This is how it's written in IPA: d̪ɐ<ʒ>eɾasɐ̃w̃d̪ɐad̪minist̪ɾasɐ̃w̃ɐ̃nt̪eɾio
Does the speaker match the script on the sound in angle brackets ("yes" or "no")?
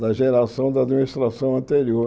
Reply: yes